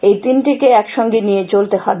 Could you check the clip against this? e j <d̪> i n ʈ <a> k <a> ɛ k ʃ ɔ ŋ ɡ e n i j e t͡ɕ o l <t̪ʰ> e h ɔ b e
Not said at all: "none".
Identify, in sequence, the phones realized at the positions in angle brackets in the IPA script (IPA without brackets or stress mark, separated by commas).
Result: t̪, i, e, t̪